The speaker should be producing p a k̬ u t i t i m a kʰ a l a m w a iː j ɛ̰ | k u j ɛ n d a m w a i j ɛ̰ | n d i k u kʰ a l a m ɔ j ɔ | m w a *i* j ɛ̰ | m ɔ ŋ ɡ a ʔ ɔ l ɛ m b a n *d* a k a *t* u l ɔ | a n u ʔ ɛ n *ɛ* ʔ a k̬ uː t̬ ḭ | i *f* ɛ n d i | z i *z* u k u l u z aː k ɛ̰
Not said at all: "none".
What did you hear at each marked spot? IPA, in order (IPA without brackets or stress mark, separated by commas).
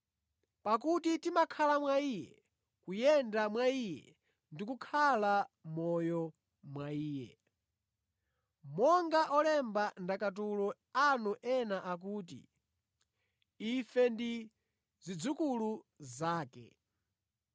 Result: iː, d, t, a, f, d͡z